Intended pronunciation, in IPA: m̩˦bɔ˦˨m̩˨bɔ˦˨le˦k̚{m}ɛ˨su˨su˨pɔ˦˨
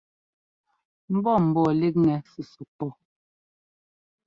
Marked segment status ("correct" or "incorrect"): incorrect